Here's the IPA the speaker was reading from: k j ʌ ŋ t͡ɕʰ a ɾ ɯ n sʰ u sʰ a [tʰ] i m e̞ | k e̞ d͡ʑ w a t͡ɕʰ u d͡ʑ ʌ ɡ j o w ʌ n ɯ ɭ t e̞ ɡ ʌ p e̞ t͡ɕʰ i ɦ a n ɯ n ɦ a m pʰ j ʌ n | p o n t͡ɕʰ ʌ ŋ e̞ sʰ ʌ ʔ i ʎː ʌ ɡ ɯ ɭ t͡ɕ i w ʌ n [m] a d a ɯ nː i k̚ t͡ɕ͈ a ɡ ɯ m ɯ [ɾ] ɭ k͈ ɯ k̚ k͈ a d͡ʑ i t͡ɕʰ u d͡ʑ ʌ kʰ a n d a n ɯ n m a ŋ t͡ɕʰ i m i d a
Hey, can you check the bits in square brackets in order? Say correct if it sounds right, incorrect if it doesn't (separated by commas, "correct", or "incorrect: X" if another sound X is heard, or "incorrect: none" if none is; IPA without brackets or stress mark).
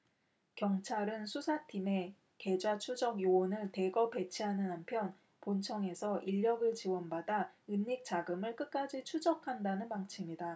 correct, incorrect: b, incorrect: none